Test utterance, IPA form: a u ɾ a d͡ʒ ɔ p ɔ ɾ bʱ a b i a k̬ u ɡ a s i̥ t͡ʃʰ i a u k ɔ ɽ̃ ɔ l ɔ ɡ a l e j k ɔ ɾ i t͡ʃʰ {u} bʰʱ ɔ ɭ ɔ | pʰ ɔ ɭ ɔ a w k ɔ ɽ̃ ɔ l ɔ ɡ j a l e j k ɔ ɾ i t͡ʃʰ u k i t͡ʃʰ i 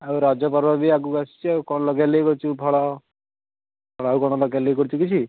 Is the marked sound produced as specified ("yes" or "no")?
yes